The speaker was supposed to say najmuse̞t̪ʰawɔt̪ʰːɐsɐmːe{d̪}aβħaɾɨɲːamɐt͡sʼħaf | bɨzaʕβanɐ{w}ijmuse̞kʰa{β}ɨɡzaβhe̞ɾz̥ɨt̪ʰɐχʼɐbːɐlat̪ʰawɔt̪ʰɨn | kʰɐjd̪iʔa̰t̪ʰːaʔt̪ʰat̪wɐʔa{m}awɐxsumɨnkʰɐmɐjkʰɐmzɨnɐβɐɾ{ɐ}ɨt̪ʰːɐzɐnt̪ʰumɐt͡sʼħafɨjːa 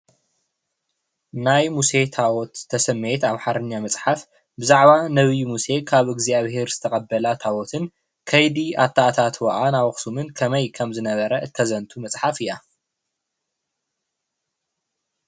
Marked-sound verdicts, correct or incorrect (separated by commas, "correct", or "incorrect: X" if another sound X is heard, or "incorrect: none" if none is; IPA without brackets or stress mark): incorrect: t̪, incorrect: β, correct, incorrect: n, correct